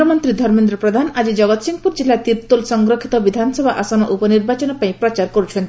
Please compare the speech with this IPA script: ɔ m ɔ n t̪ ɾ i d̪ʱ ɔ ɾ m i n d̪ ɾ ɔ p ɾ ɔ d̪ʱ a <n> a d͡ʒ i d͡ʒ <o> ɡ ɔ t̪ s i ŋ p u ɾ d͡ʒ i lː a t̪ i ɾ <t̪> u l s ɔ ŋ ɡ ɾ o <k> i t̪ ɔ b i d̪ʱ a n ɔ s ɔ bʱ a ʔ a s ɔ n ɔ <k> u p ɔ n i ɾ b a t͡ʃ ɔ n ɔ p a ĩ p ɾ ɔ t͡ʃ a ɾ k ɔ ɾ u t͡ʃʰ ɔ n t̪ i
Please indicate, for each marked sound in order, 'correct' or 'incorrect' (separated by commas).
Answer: correct, incorrect, correct, incorrect, incorrect